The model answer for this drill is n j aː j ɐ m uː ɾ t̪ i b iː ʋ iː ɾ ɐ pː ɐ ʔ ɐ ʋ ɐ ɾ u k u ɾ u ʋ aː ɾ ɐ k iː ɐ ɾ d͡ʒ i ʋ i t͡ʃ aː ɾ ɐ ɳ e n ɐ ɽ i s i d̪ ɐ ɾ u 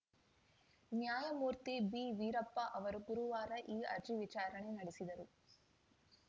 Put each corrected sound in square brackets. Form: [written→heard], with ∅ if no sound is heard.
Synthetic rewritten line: n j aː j ɐ m uː ɾ t̪ i b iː ʋ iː ɾ ɐ pː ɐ ʔ ɐ ʋ ɐ ɾ u [k→ɡ] u ɾ u ʋ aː ɾ ɐ [k→ʔ] iː ɐ ɾ d͡ʒ i ʋ i t͡ʃ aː ɾ ɐ ɳ e n ɐ ɽ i s i d̪ ɐ ɾ u